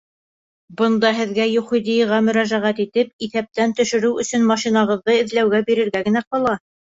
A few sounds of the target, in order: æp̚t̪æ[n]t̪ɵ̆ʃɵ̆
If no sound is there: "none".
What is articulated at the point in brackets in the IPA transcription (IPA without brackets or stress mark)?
n